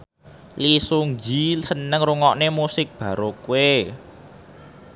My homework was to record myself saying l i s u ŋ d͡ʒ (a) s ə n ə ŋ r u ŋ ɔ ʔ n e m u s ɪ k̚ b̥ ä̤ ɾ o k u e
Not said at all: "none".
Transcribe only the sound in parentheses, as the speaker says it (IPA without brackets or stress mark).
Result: i